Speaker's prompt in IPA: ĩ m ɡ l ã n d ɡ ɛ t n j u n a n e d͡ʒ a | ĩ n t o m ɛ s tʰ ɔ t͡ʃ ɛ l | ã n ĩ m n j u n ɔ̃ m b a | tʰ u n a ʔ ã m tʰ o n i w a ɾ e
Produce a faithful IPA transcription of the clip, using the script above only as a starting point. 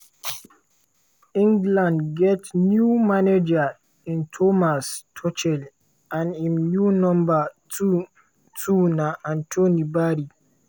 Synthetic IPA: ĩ ŋ ɡ l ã n d ɡ ɛ t n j u m a n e d͡ʒ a | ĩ n tʰ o m a s tʰ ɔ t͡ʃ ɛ l | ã n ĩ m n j u n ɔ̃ m b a | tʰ u n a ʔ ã n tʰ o n i b a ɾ i